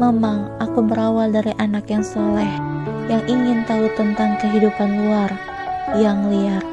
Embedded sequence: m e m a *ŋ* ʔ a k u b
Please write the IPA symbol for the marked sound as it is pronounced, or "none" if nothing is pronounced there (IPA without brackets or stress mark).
ŋ